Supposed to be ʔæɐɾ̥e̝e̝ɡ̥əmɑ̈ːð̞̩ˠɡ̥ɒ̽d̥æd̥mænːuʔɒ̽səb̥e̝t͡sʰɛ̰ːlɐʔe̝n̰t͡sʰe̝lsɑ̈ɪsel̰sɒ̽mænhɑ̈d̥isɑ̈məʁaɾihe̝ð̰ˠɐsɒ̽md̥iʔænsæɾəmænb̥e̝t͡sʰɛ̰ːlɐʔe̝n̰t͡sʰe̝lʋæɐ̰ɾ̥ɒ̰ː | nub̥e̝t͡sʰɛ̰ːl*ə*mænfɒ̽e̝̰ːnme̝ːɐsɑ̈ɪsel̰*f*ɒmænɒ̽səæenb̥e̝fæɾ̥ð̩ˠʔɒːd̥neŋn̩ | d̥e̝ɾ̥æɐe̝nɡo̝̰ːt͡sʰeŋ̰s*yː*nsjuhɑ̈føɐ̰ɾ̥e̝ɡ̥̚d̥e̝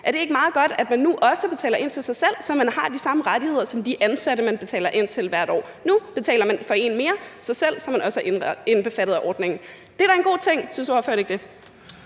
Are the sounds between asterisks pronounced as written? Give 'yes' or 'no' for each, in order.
no, no, no

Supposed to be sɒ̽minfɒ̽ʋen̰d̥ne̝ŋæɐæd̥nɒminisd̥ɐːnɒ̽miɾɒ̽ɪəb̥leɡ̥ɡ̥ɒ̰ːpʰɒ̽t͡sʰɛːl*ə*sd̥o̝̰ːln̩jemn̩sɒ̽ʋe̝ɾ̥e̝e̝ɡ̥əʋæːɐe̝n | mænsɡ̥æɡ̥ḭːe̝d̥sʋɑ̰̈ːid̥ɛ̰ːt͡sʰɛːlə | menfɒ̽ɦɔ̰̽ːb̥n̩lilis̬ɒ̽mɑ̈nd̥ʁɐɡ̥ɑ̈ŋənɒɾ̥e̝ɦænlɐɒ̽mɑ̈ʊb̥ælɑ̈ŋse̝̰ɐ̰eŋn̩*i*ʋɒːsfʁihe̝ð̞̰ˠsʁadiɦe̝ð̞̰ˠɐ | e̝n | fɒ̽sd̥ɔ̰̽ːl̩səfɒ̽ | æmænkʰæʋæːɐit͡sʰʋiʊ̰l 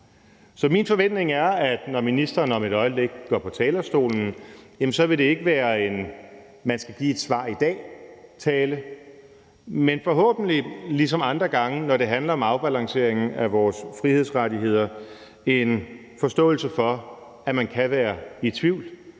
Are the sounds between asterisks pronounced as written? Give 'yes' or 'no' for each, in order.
no, no

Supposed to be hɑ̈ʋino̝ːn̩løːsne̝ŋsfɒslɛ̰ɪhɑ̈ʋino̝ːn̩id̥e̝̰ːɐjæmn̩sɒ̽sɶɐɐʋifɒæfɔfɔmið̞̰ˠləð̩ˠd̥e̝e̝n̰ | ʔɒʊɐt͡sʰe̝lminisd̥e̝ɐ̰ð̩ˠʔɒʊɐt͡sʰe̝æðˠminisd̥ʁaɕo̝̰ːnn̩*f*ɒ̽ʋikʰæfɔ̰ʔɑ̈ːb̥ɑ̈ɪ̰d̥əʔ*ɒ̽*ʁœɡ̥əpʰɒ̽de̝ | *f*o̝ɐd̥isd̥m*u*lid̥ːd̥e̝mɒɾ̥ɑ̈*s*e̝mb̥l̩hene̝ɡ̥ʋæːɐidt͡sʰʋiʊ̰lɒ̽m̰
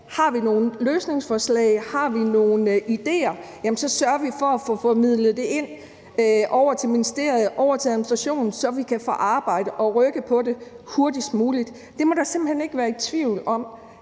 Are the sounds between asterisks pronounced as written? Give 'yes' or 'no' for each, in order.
no, yes, no, no, yes

